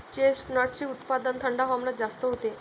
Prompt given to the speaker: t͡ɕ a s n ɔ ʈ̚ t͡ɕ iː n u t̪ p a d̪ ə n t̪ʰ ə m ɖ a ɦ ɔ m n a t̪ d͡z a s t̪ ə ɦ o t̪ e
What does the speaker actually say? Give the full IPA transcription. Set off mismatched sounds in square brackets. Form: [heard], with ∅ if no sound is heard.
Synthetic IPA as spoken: t͡ɕ [e] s n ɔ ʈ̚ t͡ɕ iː [∅] u t̪ p a d̪ ə n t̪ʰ ə [ɳ] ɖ a ɦ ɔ m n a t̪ d͡z a s t̪ ə ɦ o t̪ e